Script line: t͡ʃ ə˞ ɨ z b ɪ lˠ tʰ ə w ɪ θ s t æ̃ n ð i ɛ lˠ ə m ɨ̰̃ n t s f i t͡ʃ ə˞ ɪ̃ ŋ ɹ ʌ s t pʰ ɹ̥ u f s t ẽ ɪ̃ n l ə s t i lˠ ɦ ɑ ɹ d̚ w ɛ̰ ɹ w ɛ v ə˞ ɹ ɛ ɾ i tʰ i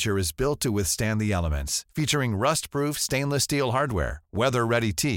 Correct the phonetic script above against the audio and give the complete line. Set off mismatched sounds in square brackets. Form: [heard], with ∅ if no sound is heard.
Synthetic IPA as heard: t͡ʃ ə˞ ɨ z b ɪ lˠ tʰ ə w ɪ θ s t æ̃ n ð i ɛ lˠ ə m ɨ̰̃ n t s f i t͡ʃ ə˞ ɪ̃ ŋ ɹ ʌ s t pʰ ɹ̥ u f s t ẽ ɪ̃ n l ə s t i lˠ ɦ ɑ ɹ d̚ w ɛ̰ ɹ w ɛ [ð] ə˞ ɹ ɛ ɾ i tʰ i